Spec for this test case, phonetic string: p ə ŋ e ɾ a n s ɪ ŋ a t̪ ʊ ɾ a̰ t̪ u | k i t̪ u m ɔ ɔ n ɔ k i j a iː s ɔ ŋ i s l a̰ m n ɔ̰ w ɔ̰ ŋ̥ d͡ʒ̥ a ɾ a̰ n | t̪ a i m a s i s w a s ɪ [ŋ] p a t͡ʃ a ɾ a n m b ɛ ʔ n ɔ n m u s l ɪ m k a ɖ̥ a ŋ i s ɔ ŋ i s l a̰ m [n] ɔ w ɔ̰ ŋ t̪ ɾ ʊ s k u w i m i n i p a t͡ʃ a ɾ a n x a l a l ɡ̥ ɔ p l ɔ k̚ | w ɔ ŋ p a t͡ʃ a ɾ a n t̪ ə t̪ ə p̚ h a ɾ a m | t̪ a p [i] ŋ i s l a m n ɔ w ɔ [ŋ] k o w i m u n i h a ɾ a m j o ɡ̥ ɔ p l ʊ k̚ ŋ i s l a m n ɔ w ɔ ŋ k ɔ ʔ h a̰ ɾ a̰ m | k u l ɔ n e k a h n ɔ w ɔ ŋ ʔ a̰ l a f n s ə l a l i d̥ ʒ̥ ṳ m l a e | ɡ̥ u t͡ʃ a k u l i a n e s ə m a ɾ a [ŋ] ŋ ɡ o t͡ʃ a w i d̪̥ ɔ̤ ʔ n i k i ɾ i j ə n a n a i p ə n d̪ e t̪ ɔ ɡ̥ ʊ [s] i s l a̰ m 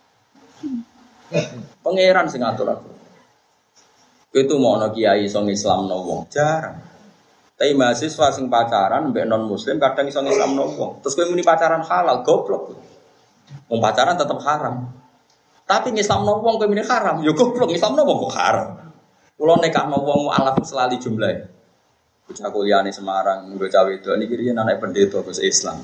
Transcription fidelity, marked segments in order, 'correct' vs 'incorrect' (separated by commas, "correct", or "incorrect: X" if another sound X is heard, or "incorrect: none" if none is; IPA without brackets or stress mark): correct, correct, correct, correct, correct, correct